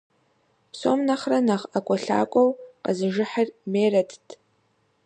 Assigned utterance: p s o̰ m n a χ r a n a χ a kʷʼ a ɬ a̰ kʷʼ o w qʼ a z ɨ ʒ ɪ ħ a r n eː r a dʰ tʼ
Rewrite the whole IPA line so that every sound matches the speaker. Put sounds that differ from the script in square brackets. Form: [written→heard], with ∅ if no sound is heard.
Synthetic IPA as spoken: p s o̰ m n a χ r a n a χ a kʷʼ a ɬ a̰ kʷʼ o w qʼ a z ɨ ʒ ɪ ħ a r [n→m] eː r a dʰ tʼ

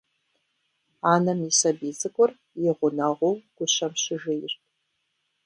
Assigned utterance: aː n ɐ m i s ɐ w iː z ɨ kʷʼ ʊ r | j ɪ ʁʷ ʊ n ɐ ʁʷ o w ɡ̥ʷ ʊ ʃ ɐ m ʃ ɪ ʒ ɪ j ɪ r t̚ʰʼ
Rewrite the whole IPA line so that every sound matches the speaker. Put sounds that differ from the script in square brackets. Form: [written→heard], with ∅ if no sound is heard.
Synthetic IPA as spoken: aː n ɐ m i s ɐ [w→b] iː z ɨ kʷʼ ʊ r | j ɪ ʁʷ ʊ n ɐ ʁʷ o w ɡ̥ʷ ʊ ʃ ɐ m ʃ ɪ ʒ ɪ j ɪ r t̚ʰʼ

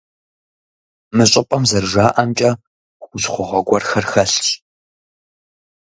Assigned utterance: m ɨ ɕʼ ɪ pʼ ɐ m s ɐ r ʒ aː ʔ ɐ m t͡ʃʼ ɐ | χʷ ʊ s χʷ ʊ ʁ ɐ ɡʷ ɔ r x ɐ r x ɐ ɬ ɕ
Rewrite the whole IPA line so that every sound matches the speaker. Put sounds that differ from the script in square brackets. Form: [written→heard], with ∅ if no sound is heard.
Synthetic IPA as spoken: m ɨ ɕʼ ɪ pʼ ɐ m [s→z] ɐ r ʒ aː ʔ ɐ m t͡ʃʼ ɐ | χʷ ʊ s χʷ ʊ ʁ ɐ ɡʷ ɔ r x ɐ r x ɐ ɬ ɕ

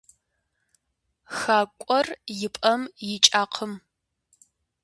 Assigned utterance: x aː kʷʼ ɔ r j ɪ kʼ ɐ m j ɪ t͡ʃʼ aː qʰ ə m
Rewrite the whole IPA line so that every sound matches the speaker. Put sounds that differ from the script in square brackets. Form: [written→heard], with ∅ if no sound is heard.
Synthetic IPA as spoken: x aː kʷʼ ɔ r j ɪ [kʼ→pʼ] ɐ m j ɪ t͡ʃʼ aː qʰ ə m

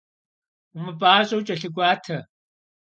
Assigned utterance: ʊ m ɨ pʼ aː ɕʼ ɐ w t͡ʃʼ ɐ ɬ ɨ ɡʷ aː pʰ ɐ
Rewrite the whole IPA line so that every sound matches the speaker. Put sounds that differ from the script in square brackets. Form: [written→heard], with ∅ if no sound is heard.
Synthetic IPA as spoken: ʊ m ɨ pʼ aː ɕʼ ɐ w t͡ʃʼ ɐ ɬ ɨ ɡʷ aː [pʰ→tʰ] ɐ

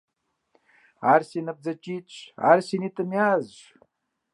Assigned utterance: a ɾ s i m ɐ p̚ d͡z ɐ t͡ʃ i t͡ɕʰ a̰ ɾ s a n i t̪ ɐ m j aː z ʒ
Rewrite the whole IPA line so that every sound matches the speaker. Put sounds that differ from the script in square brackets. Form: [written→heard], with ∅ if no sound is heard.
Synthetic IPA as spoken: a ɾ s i [m→n] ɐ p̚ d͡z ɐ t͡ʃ i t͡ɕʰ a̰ ɾ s [a→i] n i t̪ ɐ m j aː z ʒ

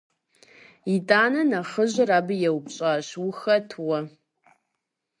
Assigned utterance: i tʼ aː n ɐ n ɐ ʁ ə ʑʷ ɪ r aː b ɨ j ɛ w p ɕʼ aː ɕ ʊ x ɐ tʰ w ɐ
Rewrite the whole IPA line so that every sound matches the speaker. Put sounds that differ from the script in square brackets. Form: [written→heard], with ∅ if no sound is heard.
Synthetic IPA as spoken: i tʼ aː n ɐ n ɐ [ʁ→χ] ə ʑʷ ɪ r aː b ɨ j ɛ w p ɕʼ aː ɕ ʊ x ɐ tʰ w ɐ

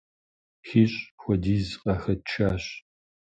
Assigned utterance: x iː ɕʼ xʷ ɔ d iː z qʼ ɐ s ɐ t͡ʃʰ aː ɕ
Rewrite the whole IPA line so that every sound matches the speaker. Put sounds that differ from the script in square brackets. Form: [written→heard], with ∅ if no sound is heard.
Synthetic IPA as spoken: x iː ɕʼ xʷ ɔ d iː z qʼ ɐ [s→x] ɐ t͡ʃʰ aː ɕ

